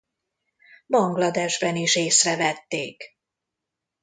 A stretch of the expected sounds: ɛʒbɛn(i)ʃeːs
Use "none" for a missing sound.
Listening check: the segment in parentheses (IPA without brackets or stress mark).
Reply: i